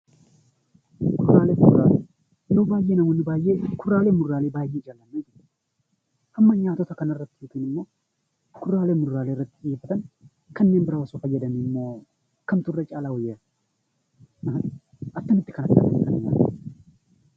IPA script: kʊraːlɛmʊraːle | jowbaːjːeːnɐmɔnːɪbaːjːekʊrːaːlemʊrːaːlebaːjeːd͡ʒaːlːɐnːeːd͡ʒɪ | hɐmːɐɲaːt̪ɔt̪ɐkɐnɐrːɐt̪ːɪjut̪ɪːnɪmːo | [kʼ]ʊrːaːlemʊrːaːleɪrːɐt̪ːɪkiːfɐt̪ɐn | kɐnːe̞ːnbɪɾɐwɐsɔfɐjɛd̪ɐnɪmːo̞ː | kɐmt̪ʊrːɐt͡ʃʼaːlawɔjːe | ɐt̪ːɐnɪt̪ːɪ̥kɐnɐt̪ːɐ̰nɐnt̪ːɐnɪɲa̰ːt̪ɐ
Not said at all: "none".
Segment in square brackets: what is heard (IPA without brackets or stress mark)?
k